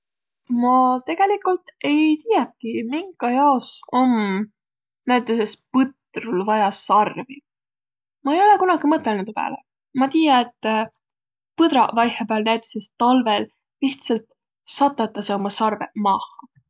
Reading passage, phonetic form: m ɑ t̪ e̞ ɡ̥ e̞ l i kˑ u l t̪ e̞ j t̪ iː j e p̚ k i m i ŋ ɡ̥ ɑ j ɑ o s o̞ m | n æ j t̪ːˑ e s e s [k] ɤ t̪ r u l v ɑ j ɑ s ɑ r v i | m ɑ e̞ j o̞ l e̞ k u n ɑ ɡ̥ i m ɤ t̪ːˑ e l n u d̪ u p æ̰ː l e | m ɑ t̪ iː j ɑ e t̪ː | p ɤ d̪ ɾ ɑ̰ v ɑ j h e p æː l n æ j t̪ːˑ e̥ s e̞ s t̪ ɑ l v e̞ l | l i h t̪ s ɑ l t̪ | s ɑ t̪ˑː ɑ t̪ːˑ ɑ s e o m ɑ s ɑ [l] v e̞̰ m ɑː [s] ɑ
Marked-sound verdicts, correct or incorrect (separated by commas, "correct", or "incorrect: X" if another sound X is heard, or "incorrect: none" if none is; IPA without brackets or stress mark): incorrect: p, incorrect: r, incorrect: h